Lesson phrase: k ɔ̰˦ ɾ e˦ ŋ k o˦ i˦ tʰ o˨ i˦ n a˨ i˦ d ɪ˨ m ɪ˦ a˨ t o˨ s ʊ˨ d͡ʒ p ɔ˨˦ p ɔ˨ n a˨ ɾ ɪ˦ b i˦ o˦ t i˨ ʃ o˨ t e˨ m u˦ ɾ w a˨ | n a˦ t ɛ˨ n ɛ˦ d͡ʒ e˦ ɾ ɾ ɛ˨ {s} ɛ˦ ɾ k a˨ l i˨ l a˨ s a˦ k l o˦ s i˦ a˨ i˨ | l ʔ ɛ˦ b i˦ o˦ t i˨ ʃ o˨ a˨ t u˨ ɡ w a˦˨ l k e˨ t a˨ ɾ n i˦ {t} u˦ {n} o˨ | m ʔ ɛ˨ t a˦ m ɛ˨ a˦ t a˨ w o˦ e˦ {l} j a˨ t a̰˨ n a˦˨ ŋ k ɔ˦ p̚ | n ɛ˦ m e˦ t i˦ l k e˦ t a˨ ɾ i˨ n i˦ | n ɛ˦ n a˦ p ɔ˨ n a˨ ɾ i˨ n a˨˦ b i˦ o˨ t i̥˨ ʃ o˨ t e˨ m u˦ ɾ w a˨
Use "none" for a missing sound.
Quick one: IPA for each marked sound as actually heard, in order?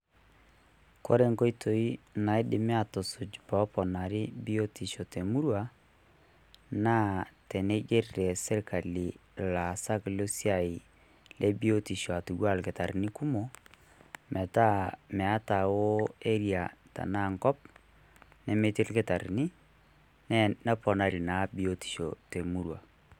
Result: s, k, m, ɾ

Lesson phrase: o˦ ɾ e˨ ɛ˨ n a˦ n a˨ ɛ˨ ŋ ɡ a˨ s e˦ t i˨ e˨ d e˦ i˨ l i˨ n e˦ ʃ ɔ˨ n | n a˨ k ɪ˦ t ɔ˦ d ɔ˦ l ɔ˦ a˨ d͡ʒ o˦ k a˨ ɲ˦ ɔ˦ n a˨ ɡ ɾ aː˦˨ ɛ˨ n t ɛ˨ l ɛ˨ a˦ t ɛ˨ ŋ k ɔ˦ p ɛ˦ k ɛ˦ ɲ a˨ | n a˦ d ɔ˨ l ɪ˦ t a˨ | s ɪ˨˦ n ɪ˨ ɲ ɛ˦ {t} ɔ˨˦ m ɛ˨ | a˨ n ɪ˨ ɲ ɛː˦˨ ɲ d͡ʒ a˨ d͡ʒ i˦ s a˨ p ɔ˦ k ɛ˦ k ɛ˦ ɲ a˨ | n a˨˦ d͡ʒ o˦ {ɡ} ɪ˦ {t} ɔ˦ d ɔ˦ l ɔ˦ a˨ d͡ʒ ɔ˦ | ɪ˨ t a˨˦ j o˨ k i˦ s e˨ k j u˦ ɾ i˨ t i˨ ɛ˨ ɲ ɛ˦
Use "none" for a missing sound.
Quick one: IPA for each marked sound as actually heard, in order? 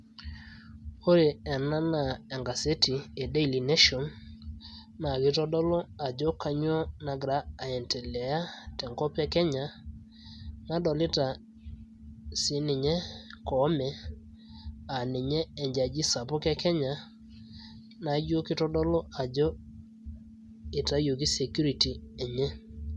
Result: k, k, t

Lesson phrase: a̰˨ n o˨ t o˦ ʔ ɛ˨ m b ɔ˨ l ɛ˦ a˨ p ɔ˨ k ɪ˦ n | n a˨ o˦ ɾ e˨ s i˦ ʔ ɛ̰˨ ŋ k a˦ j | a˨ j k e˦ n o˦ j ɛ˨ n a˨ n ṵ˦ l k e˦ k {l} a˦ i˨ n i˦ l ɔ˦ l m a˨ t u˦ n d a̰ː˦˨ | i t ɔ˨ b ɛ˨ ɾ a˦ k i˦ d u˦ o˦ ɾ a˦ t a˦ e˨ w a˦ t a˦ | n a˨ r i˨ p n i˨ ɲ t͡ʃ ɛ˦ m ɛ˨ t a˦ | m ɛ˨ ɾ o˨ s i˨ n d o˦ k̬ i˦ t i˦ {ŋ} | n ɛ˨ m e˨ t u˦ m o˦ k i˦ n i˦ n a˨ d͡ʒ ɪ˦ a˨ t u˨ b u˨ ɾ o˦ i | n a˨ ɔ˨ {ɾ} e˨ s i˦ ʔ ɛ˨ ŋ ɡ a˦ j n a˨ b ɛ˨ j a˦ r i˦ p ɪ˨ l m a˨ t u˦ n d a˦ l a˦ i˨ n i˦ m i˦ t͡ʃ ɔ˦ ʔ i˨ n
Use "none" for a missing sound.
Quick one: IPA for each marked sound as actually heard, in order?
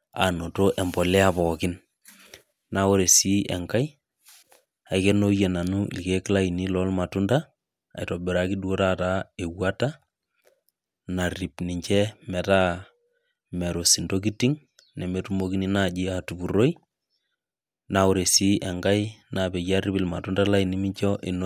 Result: l, ŋ, ɾ

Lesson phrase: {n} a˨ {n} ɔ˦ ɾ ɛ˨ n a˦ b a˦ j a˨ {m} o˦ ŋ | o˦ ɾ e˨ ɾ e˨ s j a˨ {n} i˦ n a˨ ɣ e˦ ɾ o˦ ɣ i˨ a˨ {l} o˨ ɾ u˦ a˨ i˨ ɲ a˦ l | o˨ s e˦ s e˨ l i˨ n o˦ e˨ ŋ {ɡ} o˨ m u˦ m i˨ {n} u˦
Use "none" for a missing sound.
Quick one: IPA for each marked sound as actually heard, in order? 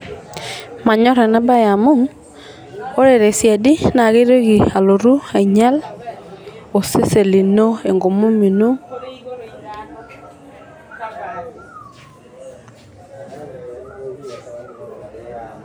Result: m, ɲ, m, d, l, ɡ, n

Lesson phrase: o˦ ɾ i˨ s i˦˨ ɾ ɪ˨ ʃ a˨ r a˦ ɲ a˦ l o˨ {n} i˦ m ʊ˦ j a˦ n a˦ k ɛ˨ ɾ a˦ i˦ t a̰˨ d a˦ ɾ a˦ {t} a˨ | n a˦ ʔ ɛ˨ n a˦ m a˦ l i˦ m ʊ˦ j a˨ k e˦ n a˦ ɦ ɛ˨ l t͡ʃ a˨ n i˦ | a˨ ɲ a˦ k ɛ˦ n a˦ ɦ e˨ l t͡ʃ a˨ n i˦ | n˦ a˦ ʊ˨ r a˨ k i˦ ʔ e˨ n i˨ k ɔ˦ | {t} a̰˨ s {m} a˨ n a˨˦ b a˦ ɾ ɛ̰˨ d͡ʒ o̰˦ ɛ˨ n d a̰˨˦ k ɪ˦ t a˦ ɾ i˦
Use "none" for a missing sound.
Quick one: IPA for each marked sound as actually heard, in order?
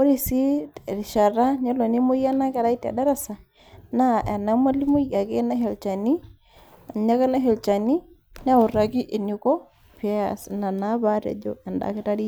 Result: n, s, p, n

